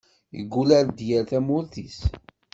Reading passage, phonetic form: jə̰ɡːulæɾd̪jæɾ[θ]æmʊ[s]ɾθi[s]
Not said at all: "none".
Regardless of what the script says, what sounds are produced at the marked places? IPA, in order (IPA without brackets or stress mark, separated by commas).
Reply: θ, none, s